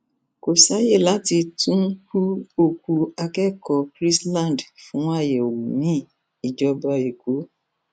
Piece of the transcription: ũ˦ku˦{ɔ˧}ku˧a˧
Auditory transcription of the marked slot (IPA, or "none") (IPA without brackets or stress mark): o˧